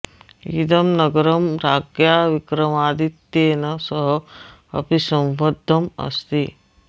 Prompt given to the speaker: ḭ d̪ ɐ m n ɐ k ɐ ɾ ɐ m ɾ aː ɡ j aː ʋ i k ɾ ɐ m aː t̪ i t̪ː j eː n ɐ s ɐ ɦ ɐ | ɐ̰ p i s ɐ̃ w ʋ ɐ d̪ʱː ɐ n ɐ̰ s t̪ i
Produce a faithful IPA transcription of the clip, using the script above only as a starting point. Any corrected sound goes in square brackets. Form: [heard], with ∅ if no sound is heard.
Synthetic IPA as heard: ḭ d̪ ɐ m n ɐ [ɡ] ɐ ɾ ɐ m ɾ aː ɡ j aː ʋ i k ɾ ɐ m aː [d̪] i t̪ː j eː n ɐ s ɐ ɦ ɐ | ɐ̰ p i s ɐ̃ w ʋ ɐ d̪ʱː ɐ [m] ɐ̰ s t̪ i